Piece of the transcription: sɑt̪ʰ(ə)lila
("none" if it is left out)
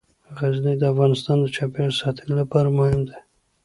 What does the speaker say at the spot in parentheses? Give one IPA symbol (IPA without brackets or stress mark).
ə